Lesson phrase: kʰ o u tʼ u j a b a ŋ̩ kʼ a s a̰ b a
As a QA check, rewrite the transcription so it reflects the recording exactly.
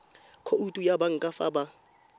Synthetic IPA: kʰ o u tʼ u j a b a ŋ̩ kʼ a f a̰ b a